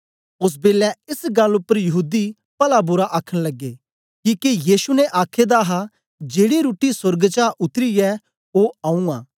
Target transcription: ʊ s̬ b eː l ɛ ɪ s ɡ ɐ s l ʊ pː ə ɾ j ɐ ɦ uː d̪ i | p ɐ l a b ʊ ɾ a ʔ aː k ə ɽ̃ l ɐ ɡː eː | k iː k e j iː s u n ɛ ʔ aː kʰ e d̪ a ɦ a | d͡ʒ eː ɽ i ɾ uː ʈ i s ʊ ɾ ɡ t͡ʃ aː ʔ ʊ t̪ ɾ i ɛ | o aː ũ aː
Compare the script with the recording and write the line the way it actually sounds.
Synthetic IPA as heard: ʊ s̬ b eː l ɛ ɪ s ɡ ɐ l ʊ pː ə ɾ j ɐ ɦ uː d̪ i | p ɐ l a b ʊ ɾ a ʔ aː kʰ ə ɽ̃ l ɐ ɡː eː | k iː k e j iː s u n ɛ ʔ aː kʰ e d̪ a ɦ a | d͡ʒ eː ɽ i ɾ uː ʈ i s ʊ ɾ ɡ t͡ʃ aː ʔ ʊ t̪ ɾ i ɛ | o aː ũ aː